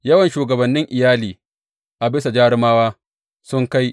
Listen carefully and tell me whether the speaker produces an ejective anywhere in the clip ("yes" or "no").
no